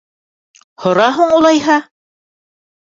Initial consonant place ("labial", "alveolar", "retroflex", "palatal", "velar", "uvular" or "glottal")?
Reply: glottal